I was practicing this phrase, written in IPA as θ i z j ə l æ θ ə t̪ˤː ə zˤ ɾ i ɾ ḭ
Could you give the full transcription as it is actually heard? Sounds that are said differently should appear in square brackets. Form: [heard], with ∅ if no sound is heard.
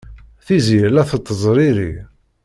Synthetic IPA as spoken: θ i z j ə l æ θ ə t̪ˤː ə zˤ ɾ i ɾ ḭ